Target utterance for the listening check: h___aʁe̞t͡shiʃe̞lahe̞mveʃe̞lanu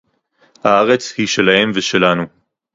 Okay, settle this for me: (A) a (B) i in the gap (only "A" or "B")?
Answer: A